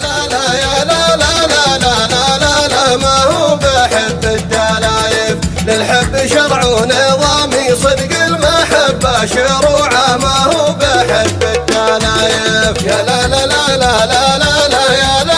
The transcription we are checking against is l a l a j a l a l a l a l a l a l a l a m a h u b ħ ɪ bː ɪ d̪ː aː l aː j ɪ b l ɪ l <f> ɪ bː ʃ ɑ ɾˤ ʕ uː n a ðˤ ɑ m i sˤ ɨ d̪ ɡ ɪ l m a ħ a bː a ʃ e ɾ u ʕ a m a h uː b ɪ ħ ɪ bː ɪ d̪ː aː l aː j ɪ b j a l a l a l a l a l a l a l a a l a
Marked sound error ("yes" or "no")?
yes